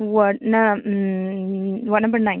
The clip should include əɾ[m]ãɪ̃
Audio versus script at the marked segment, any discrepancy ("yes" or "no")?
yes